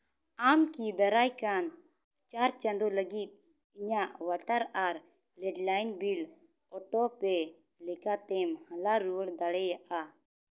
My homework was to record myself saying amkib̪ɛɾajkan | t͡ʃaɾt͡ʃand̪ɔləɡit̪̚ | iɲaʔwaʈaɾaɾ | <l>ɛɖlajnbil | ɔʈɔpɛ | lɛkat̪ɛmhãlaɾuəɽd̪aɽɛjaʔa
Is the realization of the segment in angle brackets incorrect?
no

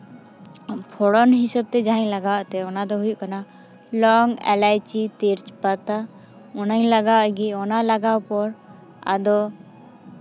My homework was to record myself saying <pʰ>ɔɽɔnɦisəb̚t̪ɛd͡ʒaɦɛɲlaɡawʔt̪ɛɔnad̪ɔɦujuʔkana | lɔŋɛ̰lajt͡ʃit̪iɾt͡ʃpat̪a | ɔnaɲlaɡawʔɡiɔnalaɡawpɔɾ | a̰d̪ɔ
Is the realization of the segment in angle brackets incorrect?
no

